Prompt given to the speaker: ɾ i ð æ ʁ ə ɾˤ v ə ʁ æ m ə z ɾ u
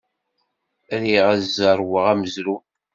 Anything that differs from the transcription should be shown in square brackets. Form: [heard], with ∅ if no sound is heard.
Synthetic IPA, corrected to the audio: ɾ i [ʁ] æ [z] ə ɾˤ [w] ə ʁ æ m ə z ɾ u